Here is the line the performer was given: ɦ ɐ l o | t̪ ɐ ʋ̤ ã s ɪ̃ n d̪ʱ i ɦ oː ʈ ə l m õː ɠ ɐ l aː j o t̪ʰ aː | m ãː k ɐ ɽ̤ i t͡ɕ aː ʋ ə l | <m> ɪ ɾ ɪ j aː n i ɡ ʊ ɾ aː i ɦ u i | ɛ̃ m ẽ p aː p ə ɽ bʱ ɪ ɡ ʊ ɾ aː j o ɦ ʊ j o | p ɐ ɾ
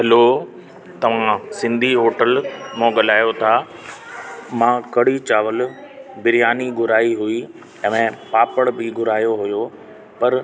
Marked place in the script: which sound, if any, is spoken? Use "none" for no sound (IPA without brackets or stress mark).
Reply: b